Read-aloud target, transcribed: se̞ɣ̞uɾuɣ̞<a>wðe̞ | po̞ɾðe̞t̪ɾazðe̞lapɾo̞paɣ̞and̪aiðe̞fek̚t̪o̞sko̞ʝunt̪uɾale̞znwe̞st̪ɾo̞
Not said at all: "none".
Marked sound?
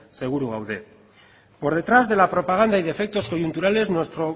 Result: a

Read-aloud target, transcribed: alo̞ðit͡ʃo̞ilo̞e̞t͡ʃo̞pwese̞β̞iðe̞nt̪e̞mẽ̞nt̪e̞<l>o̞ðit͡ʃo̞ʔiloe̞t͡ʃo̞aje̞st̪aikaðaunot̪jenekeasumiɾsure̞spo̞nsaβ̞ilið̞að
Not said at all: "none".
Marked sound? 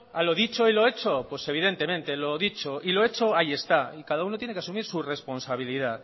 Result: l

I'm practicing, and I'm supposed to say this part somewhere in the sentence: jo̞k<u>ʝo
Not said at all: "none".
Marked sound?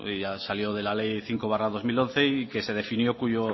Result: u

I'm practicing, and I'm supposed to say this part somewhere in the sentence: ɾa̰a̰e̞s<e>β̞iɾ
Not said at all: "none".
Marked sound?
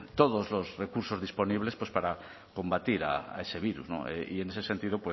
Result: e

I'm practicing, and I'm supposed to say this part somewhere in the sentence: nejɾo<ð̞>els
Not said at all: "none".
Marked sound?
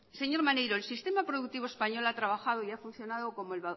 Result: none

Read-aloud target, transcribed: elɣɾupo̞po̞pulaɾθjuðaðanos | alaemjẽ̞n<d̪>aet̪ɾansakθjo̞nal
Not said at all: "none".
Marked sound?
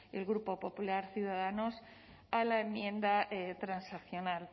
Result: d̪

